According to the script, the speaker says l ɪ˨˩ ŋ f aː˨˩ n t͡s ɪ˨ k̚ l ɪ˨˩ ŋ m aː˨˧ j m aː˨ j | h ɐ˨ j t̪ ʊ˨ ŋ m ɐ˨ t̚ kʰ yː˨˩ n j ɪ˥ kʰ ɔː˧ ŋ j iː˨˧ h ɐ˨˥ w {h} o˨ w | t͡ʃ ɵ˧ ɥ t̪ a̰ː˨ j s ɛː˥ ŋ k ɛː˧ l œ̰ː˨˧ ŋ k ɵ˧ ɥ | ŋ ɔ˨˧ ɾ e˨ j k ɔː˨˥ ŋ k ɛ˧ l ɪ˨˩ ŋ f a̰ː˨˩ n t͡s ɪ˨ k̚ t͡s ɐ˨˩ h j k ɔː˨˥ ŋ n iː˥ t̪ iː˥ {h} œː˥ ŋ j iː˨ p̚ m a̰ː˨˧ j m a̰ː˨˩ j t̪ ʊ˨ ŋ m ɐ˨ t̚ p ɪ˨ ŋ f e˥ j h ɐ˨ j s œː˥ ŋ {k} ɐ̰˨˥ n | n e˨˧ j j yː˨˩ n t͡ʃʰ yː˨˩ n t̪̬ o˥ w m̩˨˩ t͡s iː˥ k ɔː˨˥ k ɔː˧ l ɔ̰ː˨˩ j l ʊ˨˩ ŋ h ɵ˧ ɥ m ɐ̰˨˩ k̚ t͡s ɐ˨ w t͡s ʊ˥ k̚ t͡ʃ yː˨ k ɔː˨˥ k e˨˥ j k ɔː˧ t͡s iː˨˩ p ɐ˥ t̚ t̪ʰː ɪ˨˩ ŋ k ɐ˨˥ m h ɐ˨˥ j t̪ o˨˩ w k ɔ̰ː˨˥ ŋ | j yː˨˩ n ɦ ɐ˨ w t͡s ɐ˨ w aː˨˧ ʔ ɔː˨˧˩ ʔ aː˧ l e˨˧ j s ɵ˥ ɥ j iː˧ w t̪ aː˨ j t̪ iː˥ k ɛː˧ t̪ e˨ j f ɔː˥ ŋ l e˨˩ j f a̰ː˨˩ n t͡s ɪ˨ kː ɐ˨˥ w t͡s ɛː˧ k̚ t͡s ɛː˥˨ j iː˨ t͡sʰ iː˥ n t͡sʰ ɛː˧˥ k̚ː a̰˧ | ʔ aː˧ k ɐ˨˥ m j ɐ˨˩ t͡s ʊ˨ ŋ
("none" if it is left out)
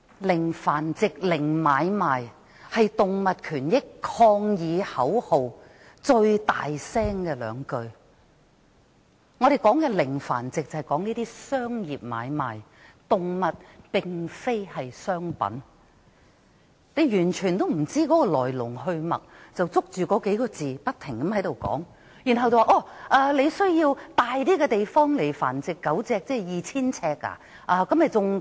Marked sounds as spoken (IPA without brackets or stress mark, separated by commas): h, s, p